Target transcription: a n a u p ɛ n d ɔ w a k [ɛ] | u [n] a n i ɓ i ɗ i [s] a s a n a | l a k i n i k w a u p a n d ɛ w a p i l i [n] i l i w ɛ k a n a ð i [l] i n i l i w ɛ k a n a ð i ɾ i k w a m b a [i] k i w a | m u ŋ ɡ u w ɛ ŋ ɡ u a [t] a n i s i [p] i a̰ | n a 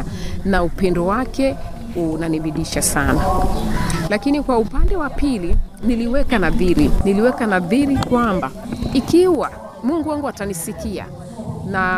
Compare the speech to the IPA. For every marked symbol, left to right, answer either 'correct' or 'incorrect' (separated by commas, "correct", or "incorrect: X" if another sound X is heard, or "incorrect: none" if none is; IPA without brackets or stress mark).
correct, correct, incorrect: ʃ, correct, incorrect: ɾ, correct, correct, incorrect: k